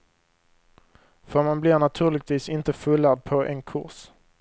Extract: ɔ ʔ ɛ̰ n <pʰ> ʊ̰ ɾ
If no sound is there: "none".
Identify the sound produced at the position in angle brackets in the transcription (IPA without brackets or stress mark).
kʰ